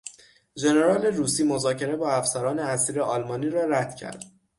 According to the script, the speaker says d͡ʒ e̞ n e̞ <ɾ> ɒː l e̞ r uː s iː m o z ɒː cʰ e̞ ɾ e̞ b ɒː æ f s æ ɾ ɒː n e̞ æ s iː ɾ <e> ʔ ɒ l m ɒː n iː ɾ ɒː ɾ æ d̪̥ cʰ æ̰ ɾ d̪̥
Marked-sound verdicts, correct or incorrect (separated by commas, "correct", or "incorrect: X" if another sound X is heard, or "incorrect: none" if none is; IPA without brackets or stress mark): correct, correct